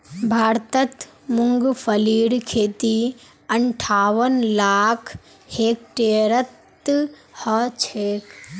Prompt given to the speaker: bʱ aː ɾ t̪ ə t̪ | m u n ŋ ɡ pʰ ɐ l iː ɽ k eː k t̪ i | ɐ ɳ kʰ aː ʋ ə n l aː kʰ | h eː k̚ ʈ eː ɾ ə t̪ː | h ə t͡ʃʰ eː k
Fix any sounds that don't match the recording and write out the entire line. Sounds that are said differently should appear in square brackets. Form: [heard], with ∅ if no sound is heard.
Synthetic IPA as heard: bʱ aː ɾ t̪ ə t̪ | m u [∅] ŋ ɡ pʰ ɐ l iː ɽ [kʰ] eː [∅] t̪ i | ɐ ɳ [ʈʰ] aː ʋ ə n l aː kʰ | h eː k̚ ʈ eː ɾ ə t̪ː | h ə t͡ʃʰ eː k